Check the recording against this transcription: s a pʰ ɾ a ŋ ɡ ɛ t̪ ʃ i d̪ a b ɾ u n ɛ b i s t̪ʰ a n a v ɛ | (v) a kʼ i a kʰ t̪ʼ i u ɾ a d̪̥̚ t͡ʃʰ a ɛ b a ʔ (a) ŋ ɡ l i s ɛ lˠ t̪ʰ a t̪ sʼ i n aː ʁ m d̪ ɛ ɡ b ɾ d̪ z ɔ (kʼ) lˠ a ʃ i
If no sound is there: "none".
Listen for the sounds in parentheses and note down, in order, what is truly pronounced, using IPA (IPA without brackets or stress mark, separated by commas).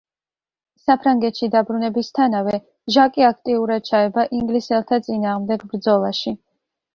ʒ, i, none